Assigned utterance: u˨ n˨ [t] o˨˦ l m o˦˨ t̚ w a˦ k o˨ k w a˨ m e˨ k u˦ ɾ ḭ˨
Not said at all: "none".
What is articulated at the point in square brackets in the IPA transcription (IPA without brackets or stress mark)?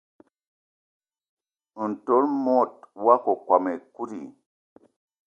t